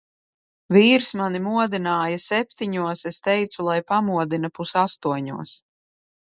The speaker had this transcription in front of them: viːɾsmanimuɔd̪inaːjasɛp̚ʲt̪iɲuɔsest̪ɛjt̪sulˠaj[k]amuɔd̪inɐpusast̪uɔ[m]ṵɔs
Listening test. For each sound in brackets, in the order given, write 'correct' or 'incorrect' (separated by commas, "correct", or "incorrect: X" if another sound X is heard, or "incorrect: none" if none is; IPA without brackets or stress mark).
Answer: incorrect: p, incorrect: ɲ